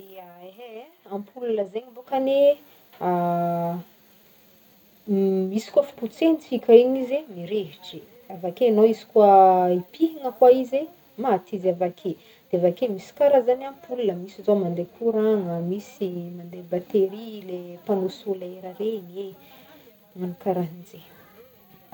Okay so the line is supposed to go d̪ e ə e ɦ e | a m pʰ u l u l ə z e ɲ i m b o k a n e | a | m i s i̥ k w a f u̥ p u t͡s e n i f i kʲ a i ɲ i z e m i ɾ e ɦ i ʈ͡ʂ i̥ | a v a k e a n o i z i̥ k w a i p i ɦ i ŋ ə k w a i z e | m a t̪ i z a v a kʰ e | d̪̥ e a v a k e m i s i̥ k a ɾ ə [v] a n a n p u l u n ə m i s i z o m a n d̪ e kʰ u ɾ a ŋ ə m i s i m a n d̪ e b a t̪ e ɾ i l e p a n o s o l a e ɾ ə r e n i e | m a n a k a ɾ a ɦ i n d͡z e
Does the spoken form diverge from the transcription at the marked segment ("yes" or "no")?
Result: yes